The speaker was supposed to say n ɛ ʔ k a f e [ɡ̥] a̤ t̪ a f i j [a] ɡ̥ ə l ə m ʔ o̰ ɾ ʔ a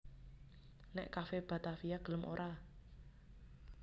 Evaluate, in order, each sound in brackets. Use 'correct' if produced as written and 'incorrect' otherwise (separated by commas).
incorrect, correct